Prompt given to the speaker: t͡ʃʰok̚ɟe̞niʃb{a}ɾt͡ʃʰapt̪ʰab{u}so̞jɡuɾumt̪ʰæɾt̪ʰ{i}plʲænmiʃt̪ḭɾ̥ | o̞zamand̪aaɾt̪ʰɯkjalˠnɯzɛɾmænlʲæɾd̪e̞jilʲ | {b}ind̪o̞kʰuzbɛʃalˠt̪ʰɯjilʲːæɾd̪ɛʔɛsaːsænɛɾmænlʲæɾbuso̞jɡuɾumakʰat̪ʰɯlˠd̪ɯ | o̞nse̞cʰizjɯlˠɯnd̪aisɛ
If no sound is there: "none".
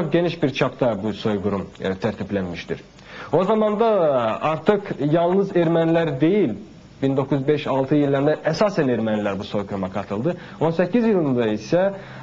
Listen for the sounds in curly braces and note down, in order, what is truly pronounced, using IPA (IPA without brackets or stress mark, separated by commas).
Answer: i, u, i, b